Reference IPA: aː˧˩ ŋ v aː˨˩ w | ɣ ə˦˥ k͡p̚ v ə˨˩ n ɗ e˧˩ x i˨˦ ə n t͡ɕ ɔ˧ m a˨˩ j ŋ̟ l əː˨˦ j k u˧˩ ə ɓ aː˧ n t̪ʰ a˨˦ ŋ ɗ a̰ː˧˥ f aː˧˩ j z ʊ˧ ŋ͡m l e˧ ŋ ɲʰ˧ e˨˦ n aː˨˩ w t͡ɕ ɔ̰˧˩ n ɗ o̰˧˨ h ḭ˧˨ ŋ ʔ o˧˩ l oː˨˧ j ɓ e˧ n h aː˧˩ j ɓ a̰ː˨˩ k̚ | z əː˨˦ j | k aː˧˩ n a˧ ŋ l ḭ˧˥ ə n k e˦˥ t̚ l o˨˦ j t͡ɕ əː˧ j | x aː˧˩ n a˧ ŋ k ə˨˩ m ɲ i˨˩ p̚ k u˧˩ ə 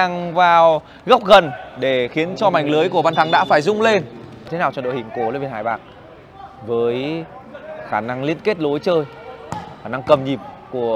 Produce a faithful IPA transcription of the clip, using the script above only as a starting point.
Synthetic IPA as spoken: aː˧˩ ŋ v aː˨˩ w | ɣ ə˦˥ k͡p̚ ɣ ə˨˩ n ɗ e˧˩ x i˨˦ ə n t͡ɕ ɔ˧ m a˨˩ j ŋ̟ l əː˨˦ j k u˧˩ ə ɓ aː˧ n t̪ʰ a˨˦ ŋ ɗ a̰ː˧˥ f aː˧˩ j z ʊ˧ ŋ͡m l e˧ n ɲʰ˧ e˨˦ n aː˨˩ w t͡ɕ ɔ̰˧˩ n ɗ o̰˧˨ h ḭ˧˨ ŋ k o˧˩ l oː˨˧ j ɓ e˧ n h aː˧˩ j ɓ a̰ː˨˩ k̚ | v əː˨˦ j | x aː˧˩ n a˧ ŋ l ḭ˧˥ ə n k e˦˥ t̚ l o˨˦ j t͡ɕ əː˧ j | x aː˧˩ n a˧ ŋ k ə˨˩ m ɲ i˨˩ p̚ k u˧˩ ə